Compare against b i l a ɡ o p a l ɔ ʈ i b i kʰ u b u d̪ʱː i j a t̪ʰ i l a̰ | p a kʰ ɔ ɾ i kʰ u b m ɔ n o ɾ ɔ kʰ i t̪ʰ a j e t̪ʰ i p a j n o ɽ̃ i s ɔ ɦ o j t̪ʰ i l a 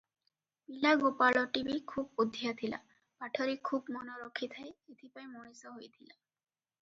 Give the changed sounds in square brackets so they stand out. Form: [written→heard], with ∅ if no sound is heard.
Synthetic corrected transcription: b i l a ɡ o p a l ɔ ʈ i b i kʰ u b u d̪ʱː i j a t̪ʰ i l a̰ | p a [kʰ→ʈʰ] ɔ ɾ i kʰ u b m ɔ n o ɾ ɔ kʰ i t̪ʰ a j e t̪ʰ i p a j [n→m] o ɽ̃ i s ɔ ɦ o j t̪ʰ i l a